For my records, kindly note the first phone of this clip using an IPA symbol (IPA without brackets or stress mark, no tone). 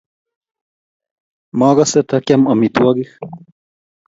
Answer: m